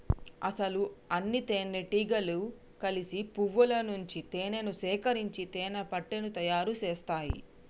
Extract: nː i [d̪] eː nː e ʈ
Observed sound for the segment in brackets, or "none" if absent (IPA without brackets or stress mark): t̪